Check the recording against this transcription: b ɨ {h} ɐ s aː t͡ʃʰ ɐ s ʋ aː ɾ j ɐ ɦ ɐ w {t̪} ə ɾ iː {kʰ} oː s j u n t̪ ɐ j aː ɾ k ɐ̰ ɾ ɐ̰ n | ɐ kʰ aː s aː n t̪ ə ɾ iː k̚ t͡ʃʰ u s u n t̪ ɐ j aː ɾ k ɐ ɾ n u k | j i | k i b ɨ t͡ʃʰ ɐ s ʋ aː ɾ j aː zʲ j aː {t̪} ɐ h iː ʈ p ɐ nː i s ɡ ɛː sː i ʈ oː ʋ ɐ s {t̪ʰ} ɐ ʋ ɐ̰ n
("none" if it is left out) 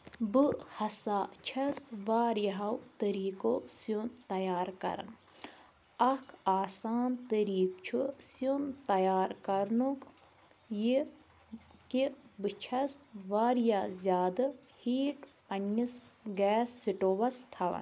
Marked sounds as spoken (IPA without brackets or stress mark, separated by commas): h, t̪, k, d̪, t̪ʰ